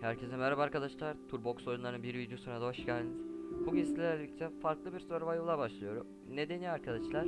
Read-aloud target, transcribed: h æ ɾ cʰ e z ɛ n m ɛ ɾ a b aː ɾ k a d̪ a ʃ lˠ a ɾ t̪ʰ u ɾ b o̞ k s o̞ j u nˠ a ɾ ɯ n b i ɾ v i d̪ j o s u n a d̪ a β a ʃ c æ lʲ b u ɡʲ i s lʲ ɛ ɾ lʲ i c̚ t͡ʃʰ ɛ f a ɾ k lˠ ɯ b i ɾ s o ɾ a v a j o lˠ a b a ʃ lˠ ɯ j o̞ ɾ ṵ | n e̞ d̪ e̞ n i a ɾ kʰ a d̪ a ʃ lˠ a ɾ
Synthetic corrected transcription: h æ ɾ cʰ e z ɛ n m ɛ ɾ a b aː ɾ k a d̪ a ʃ lˠ a ɾ t̪ʰ u ɾ b o̞ k s o̞ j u nˠ a ɾ ɯ n b i ɾ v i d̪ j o s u n a d̪ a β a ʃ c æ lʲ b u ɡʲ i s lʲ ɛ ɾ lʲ i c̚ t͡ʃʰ ɛ f a ɾ k lˠ ɯ b i ɾ s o ɾ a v a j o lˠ a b a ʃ lˠ ɯ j o̞ ɾ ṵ | n e̞ d̪ e̞ n i a ɾ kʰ a d̪ a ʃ lˠ a ɾ